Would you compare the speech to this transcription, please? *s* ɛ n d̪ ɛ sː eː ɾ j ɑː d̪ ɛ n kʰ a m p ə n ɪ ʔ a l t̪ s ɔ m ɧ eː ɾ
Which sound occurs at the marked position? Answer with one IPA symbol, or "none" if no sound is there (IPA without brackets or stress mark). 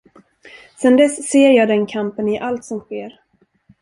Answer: s